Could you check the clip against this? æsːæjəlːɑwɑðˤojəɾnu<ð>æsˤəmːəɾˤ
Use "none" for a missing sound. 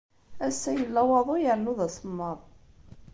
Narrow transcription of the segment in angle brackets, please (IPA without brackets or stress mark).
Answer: ð